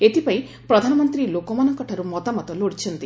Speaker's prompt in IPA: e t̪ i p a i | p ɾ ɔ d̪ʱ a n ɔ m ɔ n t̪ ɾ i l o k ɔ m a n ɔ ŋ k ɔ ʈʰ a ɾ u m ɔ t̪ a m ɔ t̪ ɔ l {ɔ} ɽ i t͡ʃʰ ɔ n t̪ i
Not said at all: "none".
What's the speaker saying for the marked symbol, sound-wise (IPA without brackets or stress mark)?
o